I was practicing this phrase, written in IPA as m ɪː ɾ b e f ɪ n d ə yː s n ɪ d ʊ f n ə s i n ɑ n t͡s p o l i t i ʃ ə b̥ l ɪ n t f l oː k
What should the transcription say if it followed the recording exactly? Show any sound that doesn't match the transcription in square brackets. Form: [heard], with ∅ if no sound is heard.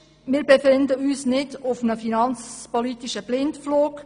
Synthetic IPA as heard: m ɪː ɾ b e f ɪ n d ə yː s n ɪ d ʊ f n ə [f] i n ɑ n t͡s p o l i t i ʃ ə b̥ l ɪ n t f l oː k